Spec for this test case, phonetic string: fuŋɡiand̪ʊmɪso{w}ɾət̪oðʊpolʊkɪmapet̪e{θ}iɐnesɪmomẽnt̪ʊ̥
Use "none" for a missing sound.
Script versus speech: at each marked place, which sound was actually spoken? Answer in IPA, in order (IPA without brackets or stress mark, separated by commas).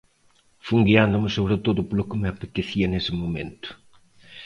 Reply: β, θ